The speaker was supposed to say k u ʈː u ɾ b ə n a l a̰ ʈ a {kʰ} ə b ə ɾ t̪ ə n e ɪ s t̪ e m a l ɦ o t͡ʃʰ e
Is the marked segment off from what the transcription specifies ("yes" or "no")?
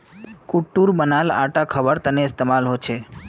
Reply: no